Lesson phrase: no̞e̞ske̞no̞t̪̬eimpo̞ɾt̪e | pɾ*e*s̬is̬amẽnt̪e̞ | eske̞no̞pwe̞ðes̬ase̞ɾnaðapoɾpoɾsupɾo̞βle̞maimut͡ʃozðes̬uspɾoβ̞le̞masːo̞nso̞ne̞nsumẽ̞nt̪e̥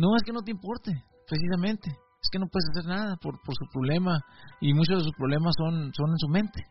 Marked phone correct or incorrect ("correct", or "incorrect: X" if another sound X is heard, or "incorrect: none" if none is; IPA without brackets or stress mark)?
correct